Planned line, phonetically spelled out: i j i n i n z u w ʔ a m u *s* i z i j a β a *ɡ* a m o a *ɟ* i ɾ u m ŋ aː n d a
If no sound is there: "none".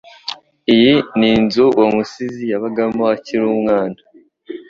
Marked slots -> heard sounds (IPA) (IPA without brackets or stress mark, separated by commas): s, ɡ, c